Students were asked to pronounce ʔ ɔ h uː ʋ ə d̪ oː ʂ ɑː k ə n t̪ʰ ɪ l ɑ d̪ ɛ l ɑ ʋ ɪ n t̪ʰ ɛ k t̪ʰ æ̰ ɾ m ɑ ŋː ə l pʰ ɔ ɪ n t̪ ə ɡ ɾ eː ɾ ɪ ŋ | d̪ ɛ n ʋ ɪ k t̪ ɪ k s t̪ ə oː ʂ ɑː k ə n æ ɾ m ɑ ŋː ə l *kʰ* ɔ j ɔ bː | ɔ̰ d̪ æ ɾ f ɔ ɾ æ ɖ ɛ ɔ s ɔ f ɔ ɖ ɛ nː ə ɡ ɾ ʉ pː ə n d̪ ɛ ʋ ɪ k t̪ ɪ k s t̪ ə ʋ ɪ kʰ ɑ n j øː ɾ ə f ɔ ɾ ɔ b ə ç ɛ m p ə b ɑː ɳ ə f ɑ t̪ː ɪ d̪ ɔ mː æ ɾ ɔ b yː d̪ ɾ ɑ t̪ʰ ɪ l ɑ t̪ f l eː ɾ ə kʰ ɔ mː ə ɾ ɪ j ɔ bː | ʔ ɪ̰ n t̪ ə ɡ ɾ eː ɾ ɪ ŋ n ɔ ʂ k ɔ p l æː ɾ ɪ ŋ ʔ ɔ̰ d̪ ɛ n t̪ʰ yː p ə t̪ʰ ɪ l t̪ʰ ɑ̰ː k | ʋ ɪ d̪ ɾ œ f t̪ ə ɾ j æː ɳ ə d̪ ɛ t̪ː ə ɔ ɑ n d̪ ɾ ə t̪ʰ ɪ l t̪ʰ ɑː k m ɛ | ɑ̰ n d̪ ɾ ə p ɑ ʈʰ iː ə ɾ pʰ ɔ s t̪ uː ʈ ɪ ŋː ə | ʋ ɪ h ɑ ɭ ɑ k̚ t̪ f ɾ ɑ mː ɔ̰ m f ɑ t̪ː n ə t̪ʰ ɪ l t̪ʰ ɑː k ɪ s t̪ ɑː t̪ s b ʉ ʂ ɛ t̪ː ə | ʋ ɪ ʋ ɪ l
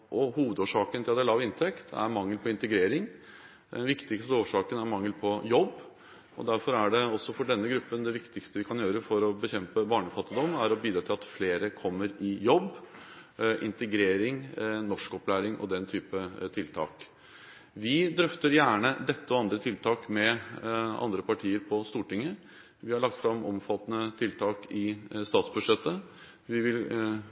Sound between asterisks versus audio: incorrect: pʰ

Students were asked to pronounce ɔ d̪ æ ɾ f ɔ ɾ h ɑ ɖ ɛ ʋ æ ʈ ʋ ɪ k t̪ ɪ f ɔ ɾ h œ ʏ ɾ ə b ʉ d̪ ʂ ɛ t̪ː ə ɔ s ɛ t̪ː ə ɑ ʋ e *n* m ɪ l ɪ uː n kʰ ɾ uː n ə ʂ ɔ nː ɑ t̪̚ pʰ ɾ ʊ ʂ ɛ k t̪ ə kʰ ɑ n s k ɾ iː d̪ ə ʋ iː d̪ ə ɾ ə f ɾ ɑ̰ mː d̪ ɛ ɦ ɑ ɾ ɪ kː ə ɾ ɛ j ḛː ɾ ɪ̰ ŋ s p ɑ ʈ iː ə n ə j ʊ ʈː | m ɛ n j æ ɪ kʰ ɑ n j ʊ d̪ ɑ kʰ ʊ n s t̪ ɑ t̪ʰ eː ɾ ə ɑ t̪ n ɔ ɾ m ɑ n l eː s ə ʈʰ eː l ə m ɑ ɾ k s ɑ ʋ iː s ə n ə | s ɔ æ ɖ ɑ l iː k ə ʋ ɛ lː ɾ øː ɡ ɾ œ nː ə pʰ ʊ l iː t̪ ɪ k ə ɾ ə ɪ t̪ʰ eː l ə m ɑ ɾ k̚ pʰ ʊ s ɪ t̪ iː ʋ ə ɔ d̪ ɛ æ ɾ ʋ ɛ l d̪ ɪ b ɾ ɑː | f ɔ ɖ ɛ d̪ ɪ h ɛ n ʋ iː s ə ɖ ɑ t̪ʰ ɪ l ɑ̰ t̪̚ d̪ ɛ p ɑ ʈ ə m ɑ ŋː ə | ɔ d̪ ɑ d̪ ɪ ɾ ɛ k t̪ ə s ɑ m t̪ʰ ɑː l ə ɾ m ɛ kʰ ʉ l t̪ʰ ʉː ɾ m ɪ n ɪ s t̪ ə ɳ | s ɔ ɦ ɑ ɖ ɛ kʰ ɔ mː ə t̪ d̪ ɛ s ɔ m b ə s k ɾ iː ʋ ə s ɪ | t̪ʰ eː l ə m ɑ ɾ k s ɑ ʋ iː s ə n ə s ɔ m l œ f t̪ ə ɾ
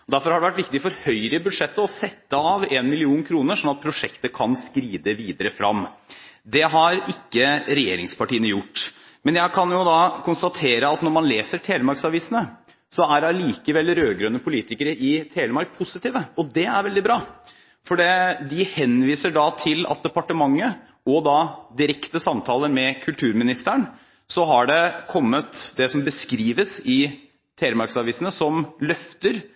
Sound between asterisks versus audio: correct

